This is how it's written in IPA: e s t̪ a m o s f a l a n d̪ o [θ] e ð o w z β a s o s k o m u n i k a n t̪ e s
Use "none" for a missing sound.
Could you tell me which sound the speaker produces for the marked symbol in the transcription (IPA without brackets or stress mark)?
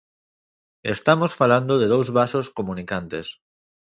ð